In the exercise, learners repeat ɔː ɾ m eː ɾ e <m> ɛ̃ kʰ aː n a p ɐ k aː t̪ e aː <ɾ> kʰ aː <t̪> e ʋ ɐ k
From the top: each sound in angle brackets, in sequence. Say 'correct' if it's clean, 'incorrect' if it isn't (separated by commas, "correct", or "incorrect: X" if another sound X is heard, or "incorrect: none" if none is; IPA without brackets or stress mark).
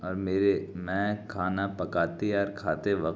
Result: correct, correct, correct